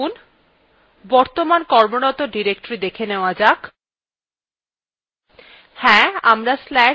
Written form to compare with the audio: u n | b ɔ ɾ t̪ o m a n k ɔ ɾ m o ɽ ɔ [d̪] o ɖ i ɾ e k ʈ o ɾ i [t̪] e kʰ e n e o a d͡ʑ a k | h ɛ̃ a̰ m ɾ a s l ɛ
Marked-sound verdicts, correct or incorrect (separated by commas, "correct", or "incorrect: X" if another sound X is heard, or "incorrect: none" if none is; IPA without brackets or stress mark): incorrect: t̪, incorrect: d̪